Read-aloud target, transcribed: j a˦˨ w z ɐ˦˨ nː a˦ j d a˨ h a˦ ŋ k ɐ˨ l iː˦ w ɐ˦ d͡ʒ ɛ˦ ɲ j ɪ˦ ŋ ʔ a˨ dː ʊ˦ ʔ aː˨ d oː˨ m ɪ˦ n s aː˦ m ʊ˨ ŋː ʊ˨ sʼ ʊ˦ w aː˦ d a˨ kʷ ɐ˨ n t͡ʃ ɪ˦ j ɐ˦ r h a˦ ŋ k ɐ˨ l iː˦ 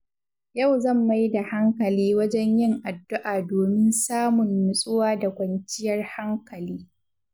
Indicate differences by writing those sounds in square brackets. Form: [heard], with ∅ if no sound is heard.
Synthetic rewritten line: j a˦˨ w z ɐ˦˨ [mː] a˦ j d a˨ h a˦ ŋ k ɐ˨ l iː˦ w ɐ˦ d͡ʒ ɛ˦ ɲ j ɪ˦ ŋ ʔ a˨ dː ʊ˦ ʔ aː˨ d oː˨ m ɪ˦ n s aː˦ m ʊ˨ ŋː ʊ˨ sʼ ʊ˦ w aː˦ d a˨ kʷ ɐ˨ n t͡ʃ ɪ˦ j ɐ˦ r h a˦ ŋ k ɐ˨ l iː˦